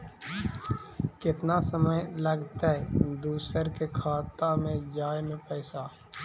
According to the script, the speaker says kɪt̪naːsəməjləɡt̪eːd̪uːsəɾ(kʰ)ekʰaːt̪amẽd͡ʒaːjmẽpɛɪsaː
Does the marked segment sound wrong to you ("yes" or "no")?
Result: yes